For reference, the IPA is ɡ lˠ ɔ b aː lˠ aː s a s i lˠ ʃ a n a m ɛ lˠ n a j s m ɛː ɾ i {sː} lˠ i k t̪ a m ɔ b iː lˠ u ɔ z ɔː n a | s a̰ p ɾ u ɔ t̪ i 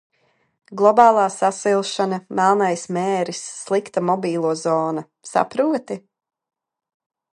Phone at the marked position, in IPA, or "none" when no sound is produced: sː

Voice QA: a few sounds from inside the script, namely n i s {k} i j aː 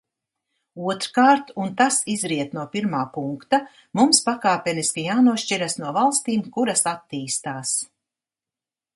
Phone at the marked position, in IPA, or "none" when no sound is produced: k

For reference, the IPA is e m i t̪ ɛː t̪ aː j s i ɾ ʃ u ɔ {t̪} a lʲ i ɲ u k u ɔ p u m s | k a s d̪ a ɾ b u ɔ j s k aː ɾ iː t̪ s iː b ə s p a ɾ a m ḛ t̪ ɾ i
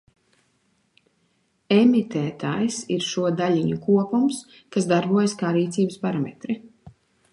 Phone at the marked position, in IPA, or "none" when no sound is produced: d̪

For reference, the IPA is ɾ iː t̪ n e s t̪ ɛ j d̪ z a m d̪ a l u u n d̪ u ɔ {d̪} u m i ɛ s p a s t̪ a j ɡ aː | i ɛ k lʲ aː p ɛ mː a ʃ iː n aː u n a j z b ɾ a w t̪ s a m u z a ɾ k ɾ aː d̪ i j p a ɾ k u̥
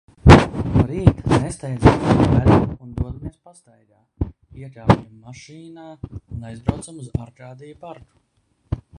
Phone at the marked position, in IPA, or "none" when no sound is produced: d̪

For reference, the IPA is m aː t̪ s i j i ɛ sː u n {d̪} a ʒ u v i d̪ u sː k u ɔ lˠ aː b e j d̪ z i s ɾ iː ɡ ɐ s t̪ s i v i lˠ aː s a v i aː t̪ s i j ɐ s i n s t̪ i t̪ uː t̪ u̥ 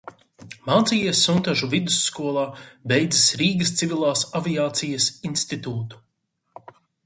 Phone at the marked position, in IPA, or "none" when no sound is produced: t̪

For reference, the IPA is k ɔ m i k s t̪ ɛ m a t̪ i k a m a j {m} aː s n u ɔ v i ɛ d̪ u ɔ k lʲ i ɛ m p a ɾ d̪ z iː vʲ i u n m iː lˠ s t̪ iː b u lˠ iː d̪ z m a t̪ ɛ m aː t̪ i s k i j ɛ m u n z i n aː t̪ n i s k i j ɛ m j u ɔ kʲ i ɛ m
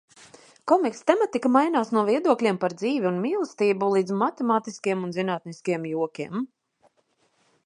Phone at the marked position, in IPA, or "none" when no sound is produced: n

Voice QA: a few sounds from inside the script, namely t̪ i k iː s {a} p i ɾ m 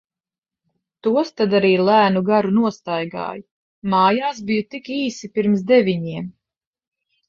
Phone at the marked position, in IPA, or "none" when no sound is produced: i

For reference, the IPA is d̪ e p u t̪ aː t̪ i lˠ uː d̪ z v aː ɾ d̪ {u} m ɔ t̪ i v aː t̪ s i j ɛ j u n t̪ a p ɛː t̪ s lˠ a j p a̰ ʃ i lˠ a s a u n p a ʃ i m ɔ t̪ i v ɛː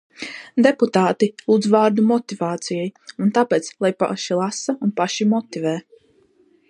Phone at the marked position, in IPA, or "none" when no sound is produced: u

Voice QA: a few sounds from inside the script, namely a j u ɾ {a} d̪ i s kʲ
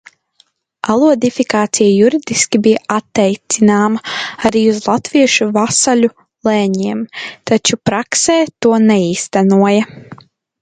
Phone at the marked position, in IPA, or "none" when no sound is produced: i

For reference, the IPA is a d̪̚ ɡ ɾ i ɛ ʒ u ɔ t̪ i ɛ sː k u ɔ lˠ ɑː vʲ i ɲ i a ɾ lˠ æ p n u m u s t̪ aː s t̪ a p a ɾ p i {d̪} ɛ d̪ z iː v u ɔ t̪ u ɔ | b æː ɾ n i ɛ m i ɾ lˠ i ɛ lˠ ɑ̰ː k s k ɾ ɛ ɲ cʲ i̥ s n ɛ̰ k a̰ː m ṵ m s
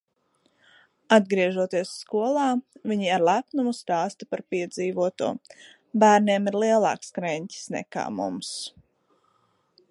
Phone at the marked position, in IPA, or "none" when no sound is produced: none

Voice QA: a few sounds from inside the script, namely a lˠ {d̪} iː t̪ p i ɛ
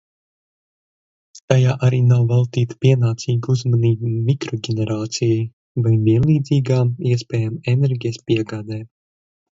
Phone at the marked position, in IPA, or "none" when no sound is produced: t̪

